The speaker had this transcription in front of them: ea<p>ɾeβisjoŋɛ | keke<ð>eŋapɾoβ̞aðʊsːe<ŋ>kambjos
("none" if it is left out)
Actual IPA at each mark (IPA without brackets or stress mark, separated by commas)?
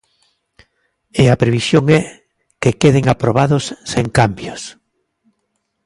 p, ð, ŋ